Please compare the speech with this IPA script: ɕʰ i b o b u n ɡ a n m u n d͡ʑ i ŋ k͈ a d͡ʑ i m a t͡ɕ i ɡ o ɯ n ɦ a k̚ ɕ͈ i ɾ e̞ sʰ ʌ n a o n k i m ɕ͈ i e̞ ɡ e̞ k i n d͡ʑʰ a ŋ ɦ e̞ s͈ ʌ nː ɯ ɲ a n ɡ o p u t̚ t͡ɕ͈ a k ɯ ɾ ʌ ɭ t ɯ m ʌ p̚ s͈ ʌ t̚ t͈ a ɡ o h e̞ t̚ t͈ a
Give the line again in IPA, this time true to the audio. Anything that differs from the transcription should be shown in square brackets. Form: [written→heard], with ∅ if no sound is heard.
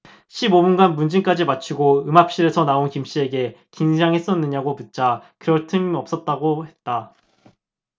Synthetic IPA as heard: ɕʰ i b o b u n ɡ a n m u n d͡ʑ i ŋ k͈ a d͡ʑ i m a [t͡ɕ→t͡ɕʰ] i ɡ o ɯ [n→m] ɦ a [k̚→p̚] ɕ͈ i ɾ e̞ sʰ ʌ n a o n k i m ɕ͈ i e̞ ɡ e̞ k i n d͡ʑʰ a ŋ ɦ e̞ s͈ ʌ nː ɯ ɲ a [n→∅] ɡ o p u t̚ t͡ɕ͈ a k ɯ ɾ ʌ ɭ [t→tʰ] ɯ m ʌ p̚ s͈ ʌ t̚ t͈ a ɡ o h e̞ t̚ t͈ a